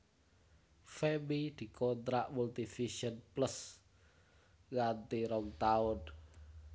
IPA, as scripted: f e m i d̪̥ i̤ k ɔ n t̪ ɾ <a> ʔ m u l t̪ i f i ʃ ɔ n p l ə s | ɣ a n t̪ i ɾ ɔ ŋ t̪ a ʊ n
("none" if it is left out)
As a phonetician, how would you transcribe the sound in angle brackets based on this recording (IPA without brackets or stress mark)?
a